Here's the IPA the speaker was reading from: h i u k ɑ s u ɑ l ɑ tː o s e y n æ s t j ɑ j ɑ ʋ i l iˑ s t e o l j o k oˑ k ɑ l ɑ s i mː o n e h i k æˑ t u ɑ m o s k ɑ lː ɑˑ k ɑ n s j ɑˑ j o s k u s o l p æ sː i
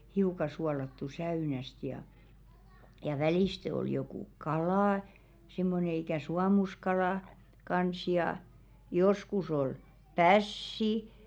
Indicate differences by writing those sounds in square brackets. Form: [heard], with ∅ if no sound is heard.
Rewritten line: h i u k ɑ s u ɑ l ɑ tː [u] s [æ] y n æ s t j ɑ j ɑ ʋ [æ] l iˑ s t e o l j o k [uˑ] k ɑ l ɑ s i mː o n e [∅] i k æˑ [s] u ɑ m [u] s k ɑ [l] ɑˑ k ɑ n s j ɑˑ j o s k u s o l p æ sː i